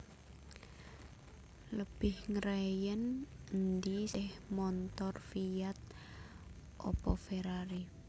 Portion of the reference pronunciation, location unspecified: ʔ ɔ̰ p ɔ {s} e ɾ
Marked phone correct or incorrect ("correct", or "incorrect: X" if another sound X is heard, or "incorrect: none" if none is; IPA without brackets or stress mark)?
incorrect: f